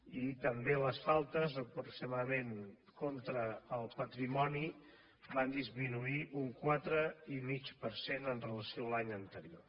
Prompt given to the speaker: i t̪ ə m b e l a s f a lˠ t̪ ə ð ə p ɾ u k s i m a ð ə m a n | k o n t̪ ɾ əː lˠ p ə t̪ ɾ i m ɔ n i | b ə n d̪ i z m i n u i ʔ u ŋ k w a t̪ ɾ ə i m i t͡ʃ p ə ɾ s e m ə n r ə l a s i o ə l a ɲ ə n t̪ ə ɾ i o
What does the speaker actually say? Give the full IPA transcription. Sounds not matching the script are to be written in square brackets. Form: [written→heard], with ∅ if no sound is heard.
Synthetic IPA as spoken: i t̪ ə m b e l [a→ə] s f a lˠ t̪ ə [ð→z] ə p ɾ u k s i m a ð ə m [a→e] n | k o n t̪ ɾ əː lˠ p ə t̪ ɾ i m ɔ n i | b [ə→a] n d̪ i z m i n u i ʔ u ŋ k w a t̪ ɾ ə i m i t͡ʃ p ə ɾ s e [m→n] ə n r ə l [a→ə] s i o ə l a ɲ ə n t̪ ə ɾ i o

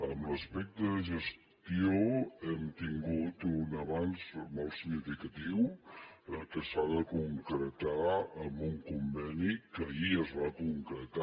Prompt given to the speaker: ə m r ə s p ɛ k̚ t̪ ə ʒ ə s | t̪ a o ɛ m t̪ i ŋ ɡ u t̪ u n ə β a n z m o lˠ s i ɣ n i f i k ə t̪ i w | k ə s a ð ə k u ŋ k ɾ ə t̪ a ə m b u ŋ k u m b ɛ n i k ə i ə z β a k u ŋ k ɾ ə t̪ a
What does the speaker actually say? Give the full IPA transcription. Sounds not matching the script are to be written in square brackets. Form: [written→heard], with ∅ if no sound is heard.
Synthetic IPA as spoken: ə m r ə s p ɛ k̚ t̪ ə ʒ ə s | t̪ [a→i] o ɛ m t̪ i ŋ ɡ u t̪ u n ə β a n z m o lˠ s i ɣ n i f i k ə t̪ i w | k ə s a ð ə k u ŋ k ɾ ə t̪ a ə m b u ŋ k u m b ɛ n i k ə i ə z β a k u ŋ k ɾ ə t̪ a

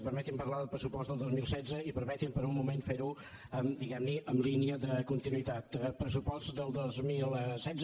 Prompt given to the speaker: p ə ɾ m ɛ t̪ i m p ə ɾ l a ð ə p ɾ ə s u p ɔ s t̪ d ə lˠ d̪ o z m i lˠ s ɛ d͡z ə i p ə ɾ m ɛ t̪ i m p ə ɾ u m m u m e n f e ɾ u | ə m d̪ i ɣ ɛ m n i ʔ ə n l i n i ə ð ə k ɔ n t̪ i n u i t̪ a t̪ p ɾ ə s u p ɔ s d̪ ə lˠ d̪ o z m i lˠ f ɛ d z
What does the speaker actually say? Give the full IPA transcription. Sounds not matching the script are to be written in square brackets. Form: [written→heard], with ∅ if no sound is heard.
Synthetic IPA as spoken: p ə ɾ m ɛ t̪ i m p ə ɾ l a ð ə p ɾ ə s u p ɔ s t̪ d ə lˠ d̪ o z m i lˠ s ɛ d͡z ə i p ə ɾ m ɛ t̪ i m p ə ɾ u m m u m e n f e ɾ u | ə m d̪ i ɣ ɛ m n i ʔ ə [n→m] l i n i ə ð ə k [ɔ→u] n t̪ i n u i t̪ a t̪ p ɾ ə s u p ɔ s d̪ ə lˠ d̪ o z m i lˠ [f→s] ɛ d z

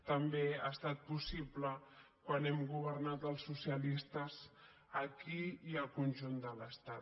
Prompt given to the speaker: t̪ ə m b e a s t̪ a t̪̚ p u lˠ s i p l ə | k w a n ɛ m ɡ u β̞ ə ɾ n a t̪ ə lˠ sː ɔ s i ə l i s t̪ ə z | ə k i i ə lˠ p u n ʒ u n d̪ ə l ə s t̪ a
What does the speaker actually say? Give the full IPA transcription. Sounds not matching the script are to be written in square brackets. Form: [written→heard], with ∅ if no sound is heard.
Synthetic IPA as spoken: t̪ ə m b e a s t̪ a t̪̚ p u [lˠ→∅] s i p l ə | k w a n ɛ m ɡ u β̞ ə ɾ n a t̪ ə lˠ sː [ɔ→u] s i ə l i s t̪ ə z | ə k i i ə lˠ [p→k] u n ʒ u n d̪ ə l ə s t̪ a

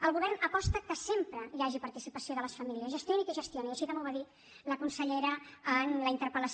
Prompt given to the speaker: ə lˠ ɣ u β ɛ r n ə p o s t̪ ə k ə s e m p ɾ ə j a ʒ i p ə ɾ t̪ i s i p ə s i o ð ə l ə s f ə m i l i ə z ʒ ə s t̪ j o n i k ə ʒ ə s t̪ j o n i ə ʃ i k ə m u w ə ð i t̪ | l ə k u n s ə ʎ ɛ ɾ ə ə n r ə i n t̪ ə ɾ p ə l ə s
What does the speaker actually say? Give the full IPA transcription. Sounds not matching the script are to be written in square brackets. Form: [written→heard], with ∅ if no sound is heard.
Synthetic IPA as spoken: ə lˠ ɣ u β ɛ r n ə p [o→ɔ] s t̪ ə k ə s e m p ɾ ə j a ʒ i p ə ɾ t̪ i s i p ə s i o ð ə l ə s f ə m i l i ə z ʒ ə s t̪ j o n i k ə ʒ ə s t̪ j o n i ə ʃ i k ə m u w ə ð i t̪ | l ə k u n s ə ʎ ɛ ɾ ə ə n [r→l] ə i n t̪ ə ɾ p ə l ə s

